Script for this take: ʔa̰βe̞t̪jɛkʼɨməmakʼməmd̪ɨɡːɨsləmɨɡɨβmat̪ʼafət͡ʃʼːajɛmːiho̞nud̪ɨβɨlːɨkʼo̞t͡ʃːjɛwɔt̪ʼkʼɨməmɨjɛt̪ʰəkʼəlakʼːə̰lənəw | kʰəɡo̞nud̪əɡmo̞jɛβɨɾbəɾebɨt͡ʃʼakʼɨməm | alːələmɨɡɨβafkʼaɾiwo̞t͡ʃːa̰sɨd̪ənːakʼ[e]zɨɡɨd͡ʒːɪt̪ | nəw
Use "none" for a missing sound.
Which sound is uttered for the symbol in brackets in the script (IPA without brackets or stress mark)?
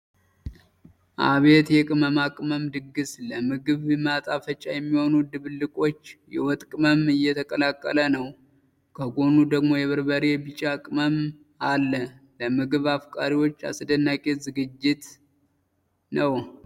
e